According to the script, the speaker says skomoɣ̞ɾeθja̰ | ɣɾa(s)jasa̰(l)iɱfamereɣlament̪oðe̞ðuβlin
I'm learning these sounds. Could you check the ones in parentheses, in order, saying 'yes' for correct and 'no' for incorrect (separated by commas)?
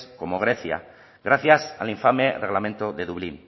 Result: no, yes